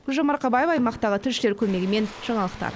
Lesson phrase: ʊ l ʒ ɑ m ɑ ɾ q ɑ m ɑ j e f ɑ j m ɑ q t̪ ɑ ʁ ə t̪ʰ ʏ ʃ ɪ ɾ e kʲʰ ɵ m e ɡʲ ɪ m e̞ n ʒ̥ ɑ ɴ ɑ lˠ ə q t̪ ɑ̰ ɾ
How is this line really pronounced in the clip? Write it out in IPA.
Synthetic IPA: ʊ l ʒ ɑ m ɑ ɾ q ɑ b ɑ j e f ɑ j m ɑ q t̪ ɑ ʁ ə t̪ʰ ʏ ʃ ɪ l e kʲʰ ɵ m e ɡʲ ɪ m e̞ n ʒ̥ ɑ ɴ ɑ lˠ ə q t̪ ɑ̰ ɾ